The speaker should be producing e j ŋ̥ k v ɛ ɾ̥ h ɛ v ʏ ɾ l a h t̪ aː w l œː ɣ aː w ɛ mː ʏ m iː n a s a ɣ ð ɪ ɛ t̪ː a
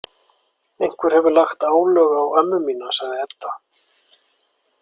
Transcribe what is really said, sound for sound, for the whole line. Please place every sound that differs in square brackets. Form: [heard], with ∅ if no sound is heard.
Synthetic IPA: e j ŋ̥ k v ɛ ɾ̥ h ɛ v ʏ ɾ l a [x] t̪ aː w l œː ɣ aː w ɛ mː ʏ m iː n a s a ɣ ð ɪ ɛ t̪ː a